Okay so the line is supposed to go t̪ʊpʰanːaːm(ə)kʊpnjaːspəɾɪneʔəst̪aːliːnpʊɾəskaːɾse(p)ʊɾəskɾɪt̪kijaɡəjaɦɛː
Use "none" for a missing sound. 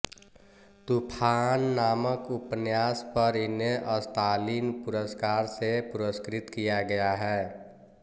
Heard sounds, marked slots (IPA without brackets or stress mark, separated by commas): ə, p